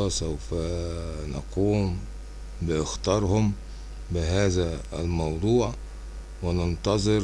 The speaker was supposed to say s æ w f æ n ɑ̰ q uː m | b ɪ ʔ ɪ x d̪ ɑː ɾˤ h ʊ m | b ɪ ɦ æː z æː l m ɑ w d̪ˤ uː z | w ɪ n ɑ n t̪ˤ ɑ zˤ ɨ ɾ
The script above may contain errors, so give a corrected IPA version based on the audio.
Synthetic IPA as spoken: s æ w f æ n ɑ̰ q uː m | b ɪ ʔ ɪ x t̪ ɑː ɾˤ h ʊ m | b ɪ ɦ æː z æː l m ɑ w d̪ˤ uː ʕ | w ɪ n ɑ n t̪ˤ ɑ zˤ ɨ ɾ